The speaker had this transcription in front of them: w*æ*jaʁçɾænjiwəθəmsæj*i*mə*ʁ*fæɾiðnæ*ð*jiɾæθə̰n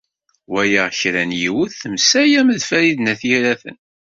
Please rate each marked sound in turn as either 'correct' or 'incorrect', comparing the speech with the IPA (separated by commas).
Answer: correct, incorrect, incorrect, incorrect